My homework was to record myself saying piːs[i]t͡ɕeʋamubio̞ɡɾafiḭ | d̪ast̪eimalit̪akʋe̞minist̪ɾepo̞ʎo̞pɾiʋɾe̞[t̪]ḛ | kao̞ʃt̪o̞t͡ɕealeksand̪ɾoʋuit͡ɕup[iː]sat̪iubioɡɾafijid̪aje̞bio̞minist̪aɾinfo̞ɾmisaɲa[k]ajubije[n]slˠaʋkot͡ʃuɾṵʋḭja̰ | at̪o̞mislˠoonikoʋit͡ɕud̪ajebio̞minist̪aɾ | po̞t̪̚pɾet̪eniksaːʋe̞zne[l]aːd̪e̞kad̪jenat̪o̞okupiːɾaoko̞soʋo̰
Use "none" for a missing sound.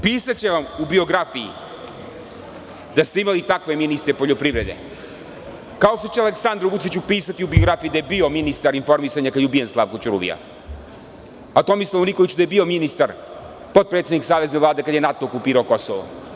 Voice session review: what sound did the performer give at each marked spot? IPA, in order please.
a, d̪, iː, k, n, l

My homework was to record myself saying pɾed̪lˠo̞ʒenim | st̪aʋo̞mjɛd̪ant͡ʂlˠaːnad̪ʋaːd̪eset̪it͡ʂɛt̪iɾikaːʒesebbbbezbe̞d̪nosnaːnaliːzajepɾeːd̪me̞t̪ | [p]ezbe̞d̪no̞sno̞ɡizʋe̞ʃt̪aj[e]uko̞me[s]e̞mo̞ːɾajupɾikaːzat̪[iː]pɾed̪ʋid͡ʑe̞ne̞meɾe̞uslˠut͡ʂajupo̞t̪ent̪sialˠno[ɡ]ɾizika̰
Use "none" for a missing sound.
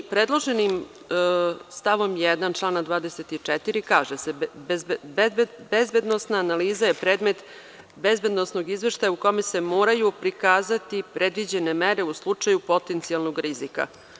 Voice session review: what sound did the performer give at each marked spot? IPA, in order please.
b, a, s, i, ɡ

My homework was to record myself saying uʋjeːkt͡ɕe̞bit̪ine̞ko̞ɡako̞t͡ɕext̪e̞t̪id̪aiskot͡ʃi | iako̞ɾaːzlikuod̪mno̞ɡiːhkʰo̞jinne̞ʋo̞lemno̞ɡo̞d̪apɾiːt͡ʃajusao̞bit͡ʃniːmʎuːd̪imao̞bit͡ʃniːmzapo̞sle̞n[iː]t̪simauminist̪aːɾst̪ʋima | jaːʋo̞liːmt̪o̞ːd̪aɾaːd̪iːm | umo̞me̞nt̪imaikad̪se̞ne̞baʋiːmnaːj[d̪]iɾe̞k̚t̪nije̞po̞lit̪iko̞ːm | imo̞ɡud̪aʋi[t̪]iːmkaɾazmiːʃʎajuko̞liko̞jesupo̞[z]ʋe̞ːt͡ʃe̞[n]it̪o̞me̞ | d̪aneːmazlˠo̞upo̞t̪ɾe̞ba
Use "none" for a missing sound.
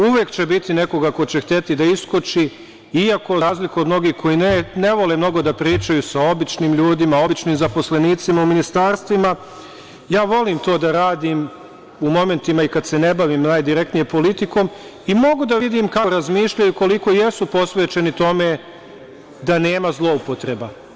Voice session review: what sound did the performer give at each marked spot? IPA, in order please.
iː, d̪, d̪, s, n

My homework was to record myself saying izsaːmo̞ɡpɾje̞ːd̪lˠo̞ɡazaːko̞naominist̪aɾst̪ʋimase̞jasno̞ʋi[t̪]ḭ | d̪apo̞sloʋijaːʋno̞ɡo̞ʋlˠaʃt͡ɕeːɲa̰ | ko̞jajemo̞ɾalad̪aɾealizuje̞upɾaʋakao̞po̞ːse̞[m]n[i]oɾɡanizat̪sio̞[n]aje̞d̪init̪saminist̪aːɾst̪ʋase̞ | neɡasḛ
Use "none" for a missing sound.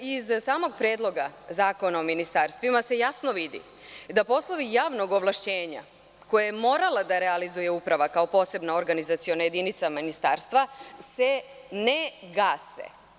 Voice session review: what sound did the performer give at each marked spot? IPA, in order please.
d̪, b, a, n

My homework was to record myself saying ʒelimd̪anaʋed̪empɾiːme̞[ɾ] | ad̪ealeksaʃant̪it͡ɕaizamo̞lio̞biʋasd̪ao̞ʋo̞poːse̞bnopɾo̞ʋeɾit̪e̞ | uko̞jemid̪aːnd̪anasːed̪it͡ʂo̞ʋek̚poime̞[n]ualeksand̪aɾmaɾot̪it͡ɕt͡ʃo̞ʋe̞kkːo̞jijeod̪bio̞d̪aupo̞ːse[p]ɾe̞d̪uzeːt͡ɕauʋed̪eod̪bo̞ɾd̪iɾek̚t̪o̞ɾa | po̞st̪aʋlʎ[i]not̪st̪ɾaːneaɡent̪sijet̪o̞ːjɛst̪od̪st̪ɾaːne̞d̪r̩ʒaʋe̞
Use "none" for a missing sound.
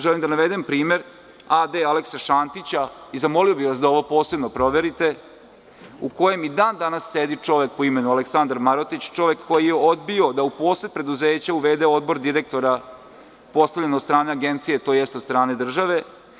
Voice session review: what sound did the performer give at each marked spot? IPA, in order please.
ɾ, n, p, e

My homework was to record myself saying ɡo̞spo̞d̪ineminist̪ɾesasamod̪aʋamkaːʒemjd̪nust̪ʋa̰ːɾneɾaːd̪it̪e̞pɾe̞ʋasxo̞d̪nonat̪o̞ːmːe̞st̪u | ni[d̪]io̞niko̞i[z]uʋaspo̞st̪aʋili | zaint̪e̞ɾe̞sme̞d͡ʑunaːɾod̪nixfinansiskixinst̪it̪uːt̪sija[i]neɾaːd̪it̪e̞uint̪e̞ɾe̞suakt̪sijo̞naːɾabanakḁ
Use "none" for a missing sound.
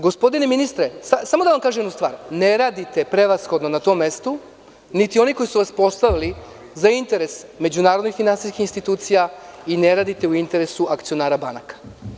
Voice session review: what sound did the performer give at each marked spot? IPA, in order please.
t̪, s, i

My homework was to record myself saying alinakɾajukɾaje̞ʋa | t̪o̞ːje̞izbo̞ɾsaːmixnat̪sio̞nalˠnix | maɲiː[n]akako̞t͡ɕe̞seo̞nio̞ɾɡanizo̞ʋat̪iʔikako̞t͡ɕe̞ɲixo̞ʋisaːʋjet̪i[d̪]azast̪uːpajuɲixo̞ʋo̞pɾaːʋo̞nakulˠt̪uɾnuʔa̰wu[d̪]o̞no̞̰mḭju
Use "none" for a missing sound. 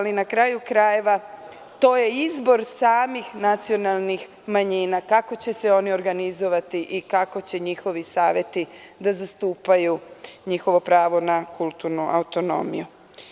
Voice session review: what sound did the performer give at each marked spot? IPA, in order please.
n, d̪, t̪

